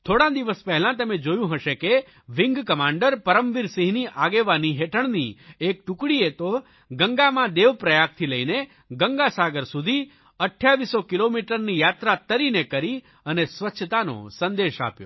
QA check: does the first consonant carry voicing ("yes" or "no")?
no